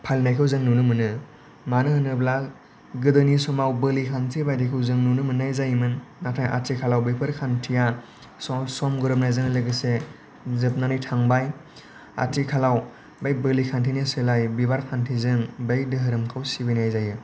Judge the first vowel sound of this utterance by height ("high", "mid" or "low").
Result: low